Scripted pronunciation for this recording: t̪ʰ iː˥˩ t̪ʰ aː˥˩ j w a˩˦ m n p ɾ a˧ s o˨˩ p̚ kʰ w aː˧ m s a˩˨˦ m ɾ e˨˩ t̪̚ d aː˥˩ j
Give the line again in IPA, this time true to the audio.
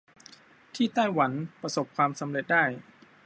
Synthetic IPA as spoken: t̪ʰ iː˥˩ t̪ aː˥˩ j w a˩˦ n p ɾ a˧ s o˨˩ p̚ kʰ w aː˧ m s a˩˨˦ m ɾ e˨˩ t̪̚ d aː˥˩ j